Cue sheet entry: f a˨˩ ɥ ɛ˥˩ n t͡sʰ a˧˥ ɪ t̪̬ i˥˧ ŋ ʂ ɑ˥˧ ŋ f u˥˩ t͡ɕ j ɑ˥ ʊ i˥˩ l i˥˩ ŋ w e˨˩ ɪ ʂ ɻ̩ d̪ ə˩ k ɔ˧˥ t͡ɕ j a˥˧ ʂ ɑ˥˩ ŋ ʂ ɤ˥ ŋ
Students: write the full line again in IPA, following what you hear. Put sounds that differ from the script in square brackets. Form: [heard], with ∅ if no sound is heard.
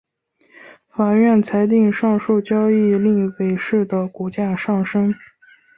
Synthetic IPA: f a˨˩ ɥ ɛ˥˩ n t͡sʰ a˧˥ ɪ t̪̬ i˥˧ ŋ ʂ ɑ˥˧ ŋ [ʂ] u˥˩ t͡ɕ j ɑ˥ ʊ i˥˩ l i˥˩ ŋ w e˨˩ ɪ ʂ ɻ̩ d̪ ə˩ k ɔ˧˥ t͡ɕ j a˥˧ ʂ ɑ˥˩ ŋ ʂ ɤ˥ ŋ